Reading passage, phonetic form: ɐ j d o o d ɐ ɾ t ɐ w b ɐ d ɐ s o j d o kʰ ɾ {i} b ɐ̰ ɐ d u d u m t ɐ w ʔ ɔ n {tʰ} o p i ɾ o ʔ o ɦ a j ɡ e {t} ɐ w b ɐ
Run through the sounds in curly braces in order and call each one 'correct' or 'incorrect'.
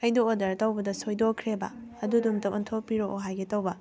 incorrect, correct, correct

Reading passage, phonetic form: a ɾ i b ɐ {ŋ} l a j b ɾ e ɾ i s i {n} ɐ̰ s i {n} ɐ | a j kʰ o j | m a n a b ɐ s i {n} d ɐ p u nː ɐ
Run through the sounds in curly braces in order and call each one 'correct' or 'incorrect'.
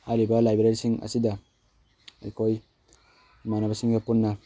incorrect, incorrect, incorrect, incorrect

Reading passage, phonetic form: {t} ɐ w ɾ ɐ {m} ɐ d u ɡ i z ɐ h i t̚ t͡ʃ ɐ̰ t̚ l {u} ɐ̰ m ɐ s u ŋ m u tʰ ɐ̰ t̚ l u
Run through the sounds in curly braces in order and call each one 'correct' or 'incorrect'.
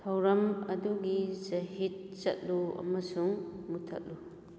incorrect, correct, correct

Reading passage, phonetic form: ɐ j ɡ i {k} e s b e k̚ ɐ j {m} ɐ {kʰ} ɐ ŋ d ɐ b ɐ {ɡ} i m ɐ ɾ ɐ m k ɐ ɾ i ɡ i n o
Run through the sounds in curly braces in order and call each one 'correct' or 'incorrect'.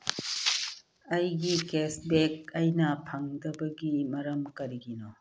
correct, incorrect, incorrect, correct

